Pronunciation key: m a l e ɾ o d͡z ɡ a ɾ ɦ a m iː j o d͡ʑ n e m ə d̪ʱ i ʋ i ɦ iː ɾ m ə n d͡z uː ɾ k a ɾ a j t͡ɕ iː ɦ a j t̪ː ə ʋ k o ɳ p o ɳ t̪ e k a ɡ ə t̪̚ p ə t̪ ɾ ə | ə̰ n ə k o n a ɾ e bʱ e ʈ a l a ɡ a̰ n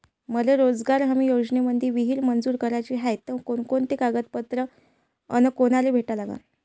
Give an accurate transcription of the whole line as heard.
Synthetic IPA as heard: m ə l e ɾ o d͡z ɡ a ɾ ɦ a m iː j o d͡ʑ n e m ə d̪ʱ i ʋ i ɦ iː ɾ m ə n d͡z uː ɾ k ə ɾ a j t͡ɕ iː ɦ a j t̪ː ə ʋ k o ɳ k o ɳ t̪ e k a ɡ ə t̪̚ p ə t̪ ɾ ə | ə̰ n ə k o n a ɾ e bʱ e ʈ a l a ɡ a̰ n